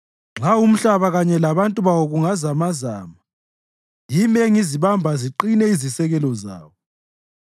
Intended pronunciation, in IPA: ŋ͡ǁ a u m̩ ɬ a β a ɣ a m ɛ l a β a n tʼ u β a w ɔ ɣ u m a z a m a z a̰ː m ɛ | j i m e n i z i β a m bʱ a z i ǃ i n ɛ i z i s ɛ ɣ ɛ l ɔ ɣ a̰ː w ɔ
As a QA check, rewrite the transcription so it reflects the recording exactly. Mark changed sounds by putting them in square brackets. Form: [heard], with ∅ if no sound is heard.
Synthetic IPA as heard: ŋ͡ǁ a u m̩ ɬ a β a ɣ a [ɲ] ɛ l a β a n tʼ u β a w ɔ ɣ u [ŋ] a z a m a z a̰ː m [a] | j i m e [ŋ] i z i β a m bʱ a z i ǃ i n ɛ i z i s ɛ ɣ ɛ l ɔ [z] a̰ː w ɔ